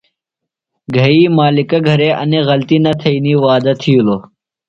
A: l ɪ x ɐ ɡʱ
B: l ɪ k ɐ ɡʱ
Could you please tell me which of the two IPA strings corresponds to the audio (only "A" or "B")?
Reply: B